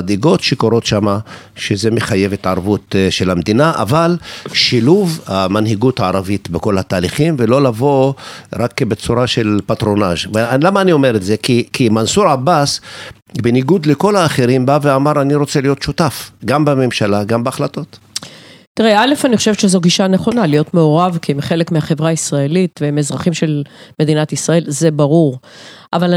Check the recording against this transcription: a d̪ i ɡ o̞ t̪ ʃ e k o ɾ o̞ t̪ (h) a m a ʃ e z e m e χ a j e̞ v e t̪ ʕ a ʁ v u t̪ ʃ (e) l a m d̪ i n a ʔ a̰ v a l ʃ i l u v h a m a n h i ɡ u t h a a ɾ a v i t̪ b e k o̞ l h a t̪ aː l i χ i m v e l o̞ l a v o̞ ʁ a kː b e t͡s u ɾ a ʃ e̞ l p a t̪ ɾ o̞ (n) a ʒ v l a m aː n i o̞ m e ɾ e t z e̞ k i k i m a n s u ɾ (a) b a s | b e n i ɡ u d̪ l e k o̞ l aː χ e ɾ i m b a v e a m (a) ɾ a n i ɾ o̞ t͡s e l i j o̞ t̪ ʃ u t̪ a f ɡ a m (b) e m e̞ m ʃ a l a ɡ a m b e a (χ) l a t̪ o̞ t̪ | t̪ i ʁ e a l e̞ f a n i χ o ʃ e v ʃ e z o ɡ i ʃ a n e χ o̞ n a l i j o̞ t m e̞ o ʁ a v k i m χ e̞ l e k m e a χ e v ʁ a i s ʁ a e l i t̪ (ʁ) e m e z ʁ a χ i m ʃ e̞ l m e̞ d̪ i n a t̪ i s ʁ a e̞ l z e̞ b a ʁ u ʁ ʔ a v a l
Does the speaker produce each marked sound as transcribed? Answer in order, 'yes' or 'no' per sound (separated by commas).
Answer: no, yes, yes, yes, yes, yes, yes, no